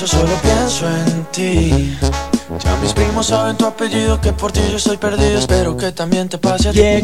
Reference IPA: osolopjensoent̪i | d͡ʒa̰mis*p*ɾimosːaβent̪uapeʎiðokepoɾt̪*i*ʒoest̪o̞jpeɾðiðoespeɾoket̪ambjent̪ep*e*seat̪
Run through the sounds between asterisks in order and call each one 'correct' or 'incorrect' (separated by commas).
correct, correct, incorrect